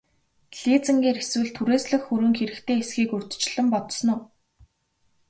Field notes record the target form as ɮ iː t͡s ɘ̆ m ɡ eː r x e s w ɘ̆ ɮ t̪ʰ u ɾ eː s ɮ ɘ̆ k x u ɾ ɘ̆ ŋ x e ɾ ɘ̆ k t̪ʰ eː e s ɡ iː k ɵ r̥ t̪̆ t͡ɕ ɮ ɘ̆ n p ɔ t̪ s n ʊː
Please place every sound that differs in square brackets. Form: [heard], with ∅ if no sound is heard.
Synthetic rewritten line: ɮ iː t͡s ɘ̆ [ŋ] ɡ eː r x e s w ɘ̆ ɮ t̪ʰ u ɾ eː s ɮ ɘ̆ [x] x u ɾ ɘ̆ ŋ x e ɾ ɘ̆ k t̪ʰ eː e s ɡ iː k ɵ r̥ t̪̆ t͡ɕ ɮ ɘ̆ [m] p ɔ t̪ s n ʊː